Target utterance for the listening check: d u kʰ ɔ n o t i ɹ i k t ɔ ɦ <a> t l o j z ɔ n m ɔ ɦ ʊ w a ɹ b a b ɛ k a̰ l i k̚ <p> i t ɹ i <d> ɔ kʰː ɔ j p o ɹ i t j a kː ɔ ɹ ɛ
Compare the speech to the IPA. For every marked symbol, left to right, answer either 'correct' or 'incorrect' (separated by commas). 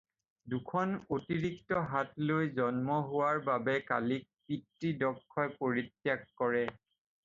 correct, correct, correct